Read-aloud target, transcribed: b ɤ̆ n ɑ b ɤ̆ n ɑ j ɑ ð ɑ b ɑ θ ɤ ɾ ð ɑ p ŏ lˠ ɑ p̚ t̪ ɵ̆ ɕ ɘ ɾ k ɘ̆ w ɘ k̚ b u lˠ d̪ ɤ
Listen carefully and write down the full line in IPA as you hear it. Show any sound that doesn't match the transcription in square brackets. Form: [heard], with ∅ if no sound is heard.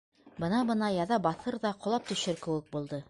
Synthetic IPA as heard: b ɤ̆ n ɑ b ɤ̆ n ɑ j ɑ ð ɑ b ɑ θ ɤ ɾ ð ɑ [q] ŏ lˠ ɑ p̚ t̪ ɵ̆ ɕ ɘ ɾ k ɘ̆ w ɘ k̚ b u lˠ d̪ ɤ